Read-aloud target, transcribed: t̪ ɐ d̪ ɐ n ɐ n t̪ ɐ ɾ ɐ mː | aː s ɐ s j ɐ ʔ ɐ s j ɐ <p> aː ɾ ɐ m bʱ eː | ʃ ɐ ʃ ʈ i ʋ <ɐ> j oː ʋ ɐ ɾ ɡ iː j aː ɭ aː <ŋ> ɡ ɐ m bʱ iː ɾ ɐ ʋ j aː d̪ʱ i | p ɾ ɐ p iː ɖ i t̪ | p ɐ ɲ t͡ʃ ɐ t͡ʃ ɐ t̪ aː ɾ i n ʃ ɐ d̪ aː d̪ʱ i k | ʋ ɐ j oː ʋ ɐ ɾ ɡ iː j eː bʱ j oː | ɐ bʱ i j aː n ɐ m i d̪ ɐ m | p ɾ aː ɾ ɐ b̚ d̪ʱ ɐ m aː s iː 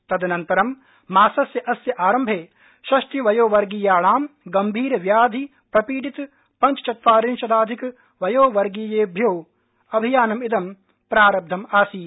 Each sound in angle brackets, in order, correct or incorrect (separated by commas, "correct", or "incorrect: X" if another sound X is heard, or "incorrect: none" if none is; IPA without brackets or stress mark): incorrect: ʔ, correct, incorrect: m